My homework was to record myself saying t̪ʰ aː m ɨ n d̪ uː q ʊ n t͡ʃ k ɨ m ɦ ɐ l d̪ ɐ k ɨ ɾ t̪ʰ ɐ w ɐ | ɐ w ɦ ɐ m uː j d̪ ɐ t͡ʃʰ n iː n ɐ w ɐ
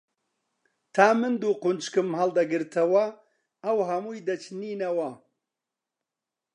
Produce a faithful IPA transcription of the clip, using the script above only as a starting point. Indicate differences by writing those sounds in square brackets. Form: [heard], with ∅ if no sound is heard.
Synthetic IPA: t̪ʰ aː m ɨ n d̪ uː q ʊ n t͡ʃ k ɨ m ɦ ɐ l d̪ ɐ [ɡ] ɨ ɾ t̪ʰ ɐ w ɐ | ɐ w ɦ ɐ m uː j d̪ ɐ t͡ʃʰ n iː n ɐ w ɐ